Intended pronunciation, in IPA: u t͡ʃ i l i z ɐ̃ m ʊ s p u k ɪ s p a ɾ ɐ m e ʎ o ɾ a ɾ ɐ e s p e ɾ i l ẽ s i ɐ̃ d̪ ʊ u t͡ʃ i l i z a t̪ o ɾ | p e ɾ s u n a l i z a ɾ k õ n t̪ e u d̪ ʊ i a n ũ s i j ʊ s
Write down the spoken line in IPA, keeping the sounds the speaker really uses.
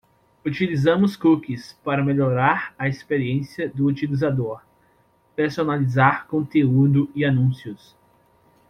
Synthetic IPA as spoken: u t͡ʃ i l i z ɐ̃ m ʊ s k u k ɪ s p a ɾ ɐ m e ʎ o ɾ a ɾ ɐ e s p e ɾ i ẽ s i ɐ d̪ ʊ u t͡ʃ i l i z a d̪ o ɾ | p e ɾ s o n a l i z a ɾ k õ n t̪ e u d̪ ʊ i a n ũ s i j ʊ s

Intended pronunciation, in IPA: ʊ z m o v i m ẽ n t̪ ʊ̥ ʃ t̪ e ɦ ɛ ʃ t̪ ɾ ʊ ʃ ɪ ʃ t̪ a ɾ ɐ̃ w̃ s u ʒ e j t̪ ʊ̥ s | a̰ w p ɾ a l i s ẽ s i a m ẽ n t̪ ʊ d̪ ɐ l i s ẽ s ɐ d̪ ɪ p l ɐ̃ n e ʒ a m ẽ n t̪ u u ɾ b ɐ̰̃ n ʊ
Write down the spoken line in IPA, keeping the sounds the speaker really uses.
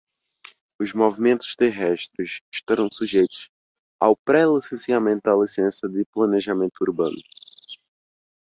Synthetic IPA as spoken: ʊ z m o v i m ẽ n t̪ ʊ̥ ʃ t̪ e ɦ ɛ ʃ t̪ ɾ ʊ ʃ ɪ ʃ t̪ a ɾ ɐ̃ w̃ s u ʒ e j t̪ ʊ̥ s | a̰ w p ɾ ɛ l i s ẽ s i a m ẽ n t̪ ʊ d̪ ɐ l i s ẽ s ɐ d̪ ɪ p l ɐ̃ n e ʒ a m ẽ n t̪ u u ɾ b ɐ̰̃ n ʊ

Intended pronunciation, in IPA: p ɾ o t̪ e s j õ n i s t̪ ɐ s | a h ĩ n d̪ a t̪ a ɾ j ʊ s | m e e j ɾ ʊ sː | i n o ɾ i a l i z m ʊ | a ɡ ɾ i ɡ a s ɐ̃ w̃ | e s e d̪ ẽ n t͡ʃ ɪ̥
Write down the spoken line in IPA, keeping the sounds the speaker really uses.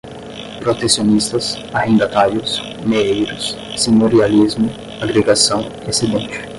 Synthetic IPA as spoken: p ɾ o t̪ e s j o n i s t̪ ɐ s | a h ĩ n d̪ a t̪ a ɾ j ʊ s | m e e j ɾ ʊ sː | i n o ɾ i a l i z m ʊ | a ɡ ɾ e ɡ a s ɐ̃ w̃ | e s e d̪ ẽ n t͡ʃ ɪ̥

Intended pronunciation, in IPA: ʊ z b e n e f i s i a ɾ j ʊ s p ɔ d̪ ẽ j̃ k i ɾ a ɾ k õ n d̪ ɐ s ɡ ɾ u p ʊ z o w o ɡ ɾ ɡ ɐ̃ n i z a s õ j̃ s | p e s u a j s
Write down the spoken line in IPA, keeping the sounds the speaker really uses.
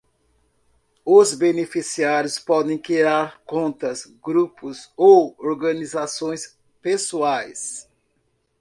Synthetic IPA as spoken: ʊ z b e n e f i s i a ɾ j ʊ s p ɔ d̪ ẽ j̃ k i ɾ a ɾ k õ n t̪ ɐ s ɡ ɾ u p ʊ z o w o ɾ ɡ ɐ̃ n i z a s õ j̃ s | p e s u a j s

